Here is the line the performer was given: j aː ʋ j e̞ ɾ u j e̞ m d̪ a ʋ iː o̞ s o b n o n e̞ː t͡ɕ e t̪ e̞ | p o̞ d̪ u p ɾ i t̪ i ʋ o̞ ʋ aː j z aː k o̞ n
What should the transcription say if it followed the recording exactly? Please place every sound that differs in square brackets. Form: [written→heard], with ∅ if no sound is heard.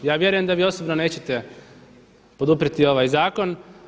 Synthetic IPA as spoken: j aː ʋ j e̞ ɾ u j e̞ m d̪ a ʋ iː o̞ s o b n o n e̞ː t͡ɕ e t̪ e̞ | p o̞ d̪ u p ɾ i t̪ i [ʋ→∅] o̞ ʋ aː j z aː k o̞ n